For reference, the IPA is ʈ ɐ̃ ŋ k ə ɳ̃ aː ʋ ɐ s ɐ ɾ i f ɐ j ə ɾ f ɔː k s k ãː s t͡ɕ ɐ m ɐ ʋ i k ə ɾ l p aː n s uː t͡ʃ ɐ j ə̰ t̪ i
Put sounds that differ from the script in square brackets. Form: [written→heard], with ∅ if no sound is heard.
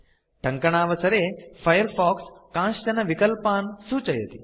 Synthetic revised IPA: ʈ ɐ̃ ŋ k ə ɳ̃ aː ʋ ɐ s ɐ ɾ [i→e] f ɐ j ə ɾ f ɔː k s k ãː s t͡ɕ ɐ [m→n] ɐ ʋ i k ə [ɾ→∅] l p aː n s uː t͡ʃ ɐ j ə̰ t̪ i